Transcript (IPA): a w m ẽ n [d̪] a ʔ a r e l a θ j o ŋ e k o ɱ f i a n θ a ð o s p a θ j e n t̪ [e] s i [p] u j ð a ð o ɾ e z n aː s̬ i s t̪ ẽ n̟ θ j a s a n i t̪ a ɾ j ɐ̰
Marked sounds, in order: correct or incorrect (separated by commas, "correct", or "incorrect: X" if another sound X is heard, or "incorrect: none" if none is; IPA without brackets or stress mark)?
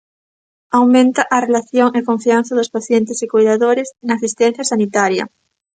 incorrect: t̪, correct, incorrect: k